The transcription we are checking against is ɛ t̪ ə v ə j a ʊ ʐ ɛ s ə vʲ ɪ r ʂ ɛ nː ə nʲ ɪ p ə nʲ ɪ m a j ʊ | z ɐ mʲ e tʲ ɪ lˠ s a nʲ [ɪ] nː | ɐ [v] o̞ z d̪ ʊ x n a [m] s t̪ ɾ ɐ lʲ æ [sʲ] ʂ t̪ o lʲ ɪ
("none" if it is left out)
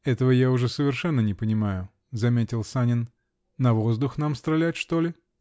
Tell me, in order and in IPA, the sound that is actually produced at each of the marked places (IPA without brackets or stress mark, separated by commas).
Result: ɪ, v, m, tʲ